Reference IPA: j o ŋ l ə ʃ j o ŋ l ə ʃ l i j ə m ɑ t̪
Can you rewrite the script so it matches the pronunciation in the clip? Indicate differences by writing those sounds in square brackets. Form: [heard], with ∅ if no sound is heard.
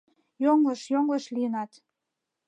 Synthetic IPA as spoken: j o ŋ l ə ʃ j o ŋ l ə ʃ l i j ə [n] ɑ t̪